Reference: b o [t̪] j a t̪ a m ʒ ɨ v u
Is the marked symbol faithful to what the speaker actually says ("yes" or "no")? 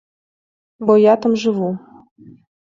no